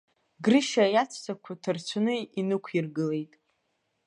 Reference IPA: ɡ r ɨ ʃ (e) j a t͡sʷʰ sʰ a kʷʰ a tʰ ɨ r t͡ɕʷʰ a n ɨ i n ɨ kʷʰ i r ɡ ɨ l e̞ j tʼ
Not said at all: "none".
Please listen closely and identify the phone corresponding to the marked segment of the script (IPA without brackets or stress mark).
a